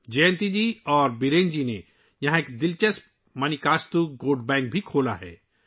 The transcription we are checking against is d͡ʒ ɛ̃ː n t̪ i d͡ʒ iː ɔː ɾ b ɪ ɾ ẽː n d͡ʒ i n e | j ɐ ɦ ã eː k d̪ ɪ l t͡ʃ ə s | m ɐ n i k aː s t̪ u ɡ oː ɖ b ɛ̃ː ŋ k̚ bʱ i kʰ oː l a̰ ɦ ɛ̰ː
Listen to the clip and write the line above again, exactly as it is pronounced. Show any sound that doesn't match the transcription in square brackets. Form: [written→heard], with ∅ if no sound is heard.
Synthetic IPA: d͡ʒ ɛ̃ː n t̪ i d͡ʒ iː ɔː ɾ b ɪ ɾ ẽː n d͡ʒ i n e | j ɐ ɦ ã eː k d̪ ɪ l t͡ʃ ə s | m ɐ n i k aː s t̪ u ɡ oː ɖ b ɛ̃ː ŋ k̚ bʱ i kʰ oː l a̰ ɦ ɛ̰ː